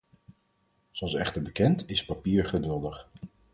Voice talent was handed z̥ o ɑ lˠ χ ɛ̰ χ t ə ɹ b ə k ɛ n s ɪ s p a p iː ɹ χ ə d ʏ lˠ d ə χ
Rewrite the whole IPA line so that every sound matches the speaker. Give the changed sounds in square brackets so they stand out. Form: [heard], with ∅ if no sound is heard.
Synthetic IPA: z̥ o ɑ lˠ [s] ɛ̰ χ t ə ɹ b ə k ɛ n [t] ɪ s p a p iː ɹ χ ə d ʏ lˠ d ə χ